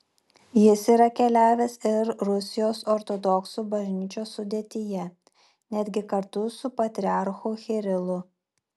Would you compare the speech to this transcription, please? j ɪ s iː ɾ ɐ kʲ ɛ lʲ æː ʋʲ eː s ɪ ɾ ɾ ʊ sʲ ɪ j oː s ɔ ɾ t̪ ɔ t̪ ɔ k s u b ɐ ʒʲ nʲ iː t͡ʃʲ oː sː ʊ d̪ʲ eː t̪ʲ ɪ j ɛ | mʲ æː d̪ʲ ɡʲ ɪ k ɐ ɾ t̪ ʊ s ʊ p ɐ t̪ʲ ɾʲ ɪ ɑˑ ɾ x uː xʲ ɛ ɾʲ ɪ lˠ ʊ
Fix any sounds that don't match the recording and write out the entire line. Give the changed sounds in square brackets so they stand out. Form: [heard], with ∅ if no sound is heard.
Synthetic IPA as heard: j ɪ s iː ɾ ɐ kʲ ɛ lʲ æː ʋʲ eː s ɪ ɾ ɾ ʊ sʲ ɪ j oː s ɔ ɾ t̪ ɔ [d̪] ɔ k s u b ɐ ʒʲ nʲ iː t͡ʃʲ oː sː ʊ d̪ʲ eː t̪ʲ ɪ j ɛ | [nʲ] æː d̪ʲ ɡʲ ɪ k ɐ ɾ t̪ ʊ s ʊ p ɐ t̪ʲ ɾʲ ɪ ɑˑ ɾ x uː xʲ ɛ ɾʲ ɪ lˠ ʊ